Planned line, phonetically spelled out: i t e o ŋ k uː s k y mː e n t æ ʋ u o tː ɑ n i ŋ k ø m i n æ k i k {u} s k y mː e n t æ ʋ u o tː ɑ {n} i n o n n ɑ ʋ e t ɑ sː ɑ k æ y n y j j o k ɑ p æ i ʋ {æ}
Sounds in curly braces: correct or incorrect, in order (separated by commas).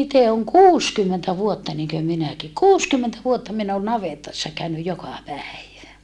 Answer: incorrect, incorrect, correct